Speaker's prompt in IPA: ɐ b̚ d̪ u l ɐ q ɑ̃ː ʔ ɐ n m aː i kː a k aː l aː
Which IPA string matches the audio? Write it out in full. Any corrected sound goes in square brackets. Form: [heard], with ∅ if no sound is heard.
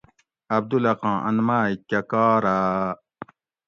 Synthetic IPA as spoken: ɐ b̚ d̪ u l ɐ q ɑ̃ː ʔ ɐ n m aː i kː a k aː [ɾ] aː